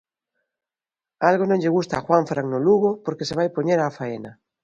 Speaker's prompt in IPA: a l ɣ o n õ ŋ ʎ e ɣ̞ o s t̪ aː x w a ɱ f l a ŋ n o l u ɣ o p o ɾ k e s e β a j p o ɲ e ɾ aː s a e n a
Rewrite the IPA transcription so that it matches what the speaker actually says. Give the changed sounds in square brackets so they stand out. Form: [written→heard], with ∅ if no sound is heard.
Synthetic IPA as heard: a l ɣ o n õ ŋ ʎ e ɣ̞ [o→u] s t̪ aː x w a ɱ f [l→ɾ] a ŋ n o l u ɣ o p o ɾ k e s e β a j p o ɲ e ɾ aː [s→f] a e n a